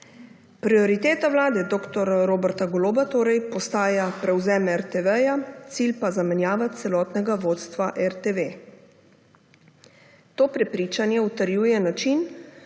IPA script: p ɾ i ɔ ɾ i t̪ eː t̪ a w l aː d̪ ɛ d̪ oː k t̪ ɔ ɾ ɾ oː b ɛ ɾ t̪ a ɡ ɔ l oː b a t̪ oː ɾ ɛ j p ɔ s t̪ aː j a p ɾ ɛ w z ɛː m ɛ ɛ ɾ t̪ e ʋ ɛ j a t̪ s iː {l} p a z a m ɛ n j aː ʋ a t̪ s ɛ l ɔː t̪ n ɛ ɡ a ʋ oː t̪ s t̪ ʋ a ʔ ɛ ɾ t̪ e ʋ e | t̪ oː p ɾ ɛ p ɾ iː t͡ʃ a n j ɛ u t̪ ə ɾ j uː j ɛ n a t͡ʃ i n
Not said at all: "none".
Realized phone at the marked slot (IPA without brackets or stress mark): l